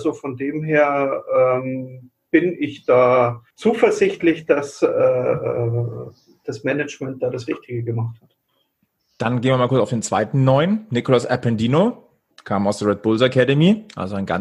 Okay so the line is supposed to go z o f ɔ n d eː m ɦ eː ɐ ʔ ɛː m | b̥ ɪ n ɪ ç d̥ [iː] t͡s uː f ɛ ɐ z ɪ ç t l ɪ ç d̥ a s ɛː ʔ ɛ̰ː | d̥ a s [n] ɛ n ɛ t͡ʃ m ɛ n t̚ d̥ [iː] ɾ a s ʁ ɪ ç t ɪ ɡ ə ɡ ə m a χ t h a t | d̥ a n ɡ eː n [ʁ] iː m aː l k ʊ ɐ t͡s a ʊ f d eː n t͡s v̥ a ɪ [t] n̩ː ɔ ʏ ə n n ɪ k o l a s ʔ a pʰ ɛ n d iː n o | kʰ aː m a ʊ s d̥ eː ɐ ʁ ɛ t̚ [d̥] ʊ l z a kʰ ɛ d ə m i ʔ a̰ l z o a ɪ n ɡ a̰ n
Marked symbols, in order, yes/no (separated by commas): no, no, no, no, yes, no